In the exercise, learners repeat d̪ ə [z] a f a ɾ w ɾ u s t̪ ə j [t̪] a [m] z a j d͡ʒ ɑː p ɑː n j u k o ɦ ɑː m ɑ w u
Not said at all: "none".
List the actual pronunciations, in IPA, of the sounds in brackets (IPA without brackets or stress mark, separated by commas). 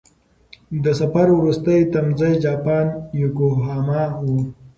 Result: s, t̪, m